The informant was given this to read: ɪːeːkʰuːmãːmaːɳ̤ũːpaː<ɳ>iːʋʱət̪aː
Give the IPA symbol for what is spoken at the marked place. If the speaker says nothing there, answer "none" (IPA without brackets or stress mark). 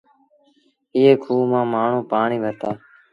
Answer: ɳ